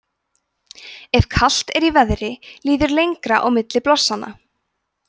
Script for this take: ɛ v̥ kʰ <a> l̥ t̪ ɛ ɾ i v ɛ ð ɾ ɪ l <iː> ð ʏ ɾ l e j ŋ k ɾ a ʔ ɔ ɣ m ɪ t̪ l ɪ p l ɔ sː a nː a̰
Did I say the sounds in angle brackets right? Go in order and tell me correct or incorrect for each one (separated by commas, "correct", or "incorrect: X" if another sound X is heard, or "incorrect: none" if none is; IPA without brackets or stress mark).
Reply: correct, correct